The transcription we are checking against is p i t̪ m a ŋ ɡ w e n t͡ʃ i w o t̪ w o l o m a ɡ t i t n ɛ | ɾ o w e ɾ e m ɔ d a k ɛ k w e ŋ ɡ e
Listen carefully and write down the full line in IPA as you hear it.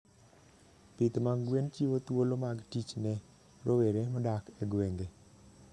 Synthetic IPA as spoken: p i t̪ m a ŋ ɡ w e n t͡ʃ i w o t̪ w o l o m a ɡ t i t͡ʃ n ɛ | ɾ o w e ɾ e m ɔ d a k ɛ ɡ w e ŋ ɡ e